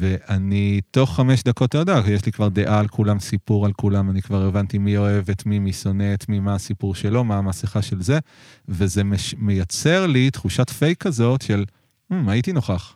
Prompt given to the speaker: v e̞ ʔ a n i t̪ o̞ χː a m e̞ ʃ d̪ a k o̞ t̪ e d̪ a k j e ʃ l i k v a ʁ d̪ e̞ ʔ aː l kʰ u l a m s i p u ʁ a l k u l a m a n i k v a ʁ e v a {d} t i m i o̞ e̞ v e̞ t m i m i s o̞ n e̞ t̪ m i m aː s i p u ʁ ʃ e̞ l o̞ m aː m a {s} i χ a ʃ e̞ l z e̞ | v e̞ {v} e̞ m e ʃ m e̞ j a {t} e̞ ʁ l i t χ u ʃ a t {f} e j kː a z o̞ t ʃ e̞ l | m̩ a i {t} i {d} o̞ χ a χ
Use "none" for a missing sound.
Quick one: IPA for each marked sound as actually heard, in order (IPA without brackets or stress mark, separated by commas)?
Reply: n, s, z, t͡s, f, t, n